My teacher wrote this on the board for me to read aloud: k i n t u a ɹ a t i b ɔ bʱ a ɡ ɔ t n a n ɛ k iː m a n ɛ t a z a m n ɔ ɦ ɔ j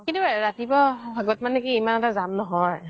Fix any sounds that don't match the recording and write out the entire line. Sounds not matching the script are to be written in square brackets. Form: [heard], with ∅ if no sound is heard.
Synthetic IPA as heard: k i n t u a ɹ a t i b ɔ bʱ a ɡ ɔ t [m] a n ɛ k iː m a n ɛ t a z a m n ɔ ɦ ɔ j